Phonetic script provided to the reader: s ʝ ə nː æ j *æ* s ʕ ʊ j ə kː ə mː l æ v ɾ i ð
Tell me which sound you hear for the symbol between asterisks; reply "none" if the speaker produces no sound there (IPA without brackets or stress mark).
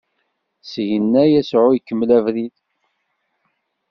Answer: æ